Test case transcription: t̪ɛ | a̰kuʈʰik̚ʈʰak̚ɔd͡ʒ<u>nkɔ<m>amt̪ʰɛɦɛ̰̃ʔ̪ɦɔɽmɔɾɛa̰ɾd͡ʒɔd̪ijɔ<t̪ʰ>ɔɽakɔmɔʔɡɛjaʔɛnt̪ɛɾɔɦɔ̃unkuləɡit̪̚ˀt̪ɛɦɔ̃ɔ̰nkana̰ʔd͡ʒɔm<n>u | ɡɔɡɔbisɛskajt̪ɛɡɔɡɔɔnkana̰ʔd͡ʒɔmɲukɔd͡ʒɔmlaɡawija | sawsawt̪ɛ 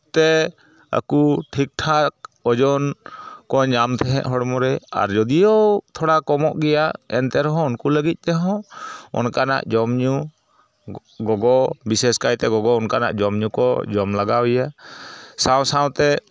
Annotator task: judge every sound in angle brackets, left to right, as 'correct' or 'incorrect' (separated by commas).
incorrect, incorrect, correct, incorrect